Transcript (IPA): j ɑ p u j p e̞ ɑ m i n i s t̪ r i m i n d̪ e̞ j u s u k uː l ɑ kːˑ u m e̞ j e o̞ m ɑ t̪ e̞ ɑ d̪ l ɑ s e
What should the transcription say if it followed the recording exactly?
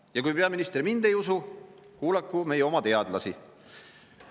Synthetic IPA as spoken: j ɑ k u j p e̞ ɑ m i n i s t̪ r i m i n d̪ e̞ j u s u k uː l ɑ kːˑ u m e̞ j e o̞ m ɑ t̪ e̞ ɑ d̪ l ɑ s i